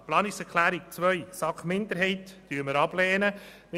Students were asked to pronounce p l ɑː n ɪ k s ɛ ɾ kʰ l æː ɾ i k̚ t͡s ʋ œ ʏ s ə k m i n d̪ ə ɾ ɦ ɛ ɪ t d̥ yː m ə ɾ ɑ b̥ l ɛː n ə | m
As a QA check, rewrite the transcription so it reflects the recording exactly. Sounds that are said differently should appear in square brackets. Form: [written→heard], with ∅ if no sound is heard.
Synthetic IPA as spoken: p l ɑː n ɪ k s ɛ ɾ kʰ l æː ɾ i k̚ t͡s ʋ œ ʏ s [ə→ɑ] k m [i→ɪ] n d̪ ə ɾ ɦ ɛ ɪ t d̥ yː m ə ɾ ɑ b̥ l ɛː n ə | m